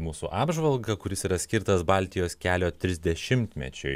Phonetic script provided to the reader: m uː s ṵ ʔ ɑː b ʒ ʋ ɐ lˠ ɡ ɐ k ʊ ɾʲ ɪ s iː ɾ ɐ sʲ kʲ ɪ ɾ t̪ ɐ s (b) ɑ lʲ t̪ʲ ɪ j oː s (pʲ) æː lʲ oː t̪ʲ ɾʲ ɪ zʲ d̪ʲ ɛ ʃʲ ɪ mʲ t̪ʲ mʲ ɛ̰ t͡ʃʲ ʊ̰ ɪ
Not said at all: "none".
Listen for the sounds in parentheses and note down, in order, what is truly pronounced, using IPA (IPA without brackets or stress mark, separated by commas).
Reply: b, kʲ